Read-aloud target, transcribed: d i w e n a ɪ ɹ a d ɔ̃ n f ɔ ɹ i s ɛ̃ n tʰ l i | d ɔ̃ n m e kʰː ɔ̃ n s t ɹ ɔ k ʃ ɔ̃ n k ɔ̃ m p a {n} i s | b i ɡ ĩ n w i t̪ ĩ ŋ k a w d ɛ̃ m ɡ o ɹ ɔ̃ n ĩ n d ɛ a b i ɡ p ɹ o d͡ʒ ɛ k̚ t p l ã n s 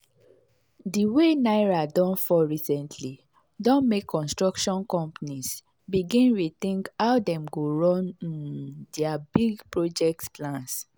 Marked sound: correct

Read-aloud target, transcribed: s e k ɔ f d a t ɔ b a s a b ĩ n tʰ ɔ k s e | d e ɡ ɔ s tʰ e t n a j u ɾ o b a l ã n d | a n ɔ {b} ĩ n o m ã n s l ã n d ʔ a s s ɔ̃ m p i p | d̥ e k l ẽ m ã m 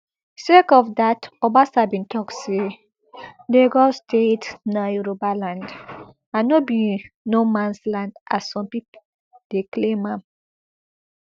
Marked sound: correct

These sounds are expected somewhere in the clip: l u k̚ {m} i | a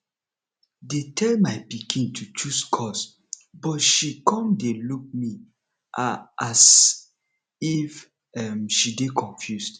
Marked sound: correct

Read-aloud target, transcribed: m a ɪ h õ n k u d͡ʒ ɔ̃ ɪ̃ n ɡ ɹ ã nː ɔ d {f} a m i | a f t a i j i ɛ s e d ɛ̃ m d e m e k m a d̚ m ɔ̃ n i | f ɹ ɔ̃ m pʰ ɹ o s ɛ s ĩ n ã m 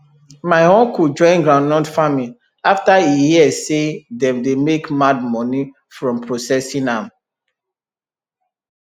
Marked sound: correct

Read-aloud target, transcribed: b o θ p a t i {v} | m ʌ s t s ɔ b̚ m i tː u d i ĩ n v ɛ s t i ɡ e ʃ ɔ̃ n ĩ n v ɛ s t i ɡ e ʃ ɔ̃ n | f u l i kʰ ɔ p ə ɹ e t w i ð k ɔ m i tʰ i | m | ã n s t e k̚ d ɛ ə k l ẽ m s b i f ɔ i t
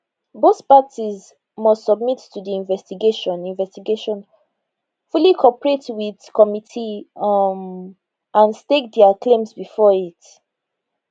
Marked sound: incorrect: z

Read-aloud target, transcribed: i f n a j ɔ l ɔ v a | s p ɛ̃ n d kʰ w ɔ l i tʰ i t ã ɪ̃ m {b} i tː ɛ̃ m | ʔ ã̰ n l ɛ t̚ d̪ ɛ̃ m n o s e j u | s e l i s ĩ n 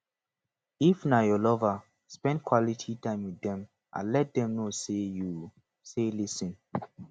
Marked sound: incorrect: w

